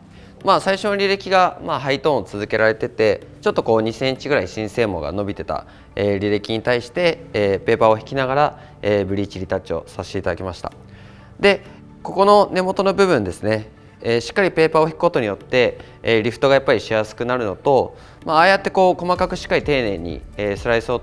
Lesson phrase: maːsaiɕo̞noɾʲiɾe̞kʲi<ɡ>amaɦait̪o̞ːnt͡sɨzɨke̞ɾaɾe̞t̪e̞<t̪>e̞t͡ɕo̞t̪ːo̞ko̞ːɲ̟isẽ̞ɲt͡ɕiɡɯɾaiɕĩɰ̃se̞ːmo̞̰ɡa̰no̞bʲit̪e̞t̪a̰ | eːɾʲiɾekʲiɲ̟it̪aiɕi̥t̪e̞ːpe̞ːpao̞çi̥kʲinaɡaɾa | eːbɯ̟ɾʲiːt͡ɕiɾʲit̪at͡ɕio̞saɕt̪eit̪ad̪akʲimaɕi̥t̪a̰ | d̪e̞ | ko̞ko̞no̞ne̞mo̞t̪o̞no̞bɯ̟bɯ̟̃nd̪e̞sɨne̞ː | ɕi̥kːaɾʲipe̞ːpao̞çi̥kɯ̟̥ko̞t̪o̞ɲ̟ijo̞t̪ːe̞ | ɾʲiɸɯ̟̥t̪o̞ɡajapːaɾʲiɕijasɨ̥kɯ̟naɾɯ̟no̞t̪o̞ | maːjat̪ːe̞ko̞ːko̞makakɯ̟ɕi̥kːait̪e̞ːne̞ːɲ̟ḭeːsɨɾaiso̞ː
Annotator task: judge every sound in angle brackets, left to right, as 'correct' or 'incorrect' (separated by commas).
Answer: correct, correct